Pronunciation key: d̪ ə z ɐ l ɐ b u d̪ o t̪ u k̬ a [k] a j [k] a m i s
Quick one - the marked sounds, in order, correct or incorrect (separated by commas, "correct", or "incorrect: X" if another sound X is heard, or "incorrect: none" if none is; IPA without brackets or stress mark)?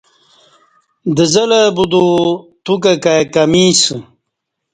correct, correct